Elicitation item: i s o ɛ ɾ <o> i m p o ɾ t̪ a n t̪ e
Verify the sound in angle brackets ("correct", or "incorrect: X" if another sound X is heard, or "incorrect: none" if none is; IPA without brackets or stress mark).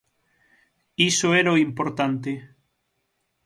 correct